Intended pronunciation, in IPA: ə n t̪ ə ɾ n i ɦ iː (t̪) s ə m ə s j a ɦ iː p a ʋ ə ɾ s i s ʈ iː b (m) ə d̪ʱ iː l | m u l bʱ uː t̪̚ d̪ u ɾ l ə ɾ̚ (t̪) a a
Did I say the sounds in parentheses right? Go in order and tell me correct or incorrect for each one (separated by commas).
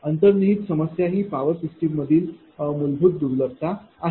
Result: correct, correct, correct